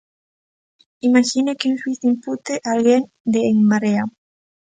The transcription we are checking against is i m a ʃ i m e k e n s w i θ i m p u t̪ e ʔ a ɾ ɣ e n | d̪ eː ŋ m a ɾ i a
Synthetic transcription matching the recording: i m a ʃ i n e k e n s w i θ i m p u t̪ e ʔ a l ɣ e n | d̪ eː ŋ m a ɾ e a